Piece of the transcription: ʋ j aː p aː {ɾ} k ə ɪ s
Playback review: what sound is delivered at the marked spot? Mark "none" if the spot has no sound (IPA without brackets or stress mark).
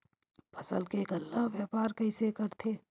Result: ɾ